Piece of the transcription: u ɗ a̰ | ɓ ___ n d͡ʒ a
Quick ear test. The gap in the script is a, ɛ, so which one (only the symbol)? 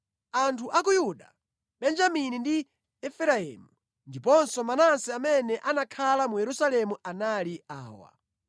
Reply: ɛ